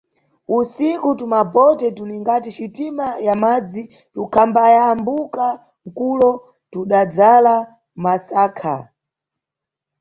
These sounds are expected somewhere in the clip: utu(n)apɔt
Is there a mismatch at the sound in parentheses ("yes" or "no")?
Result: yes